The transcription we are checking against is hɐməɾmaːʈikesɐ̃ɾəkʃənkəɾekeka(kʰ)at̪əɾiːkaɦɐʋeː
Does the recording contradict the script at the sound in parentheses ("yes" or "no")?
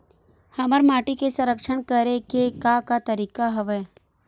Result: yes